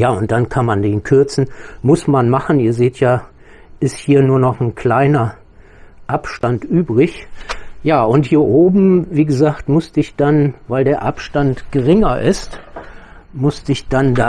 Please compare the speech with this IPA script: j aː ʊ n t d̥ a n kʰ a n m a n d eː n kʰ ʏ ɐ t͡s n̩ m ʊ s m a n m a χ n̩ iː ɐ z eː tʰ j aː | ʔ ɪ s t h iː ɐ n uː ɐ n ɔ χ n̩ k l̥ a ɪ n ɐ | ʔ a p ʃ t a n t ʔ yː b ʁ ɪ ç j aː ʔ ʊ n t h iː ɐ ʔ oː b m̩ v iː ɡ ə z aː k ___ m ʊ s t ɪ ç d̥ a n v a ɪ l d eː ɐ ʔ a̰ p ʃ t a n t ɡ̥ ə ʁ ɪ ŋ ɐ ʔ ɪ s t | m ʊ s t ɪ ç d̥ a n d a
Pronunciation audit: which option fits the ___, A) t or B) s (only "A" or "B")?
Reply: A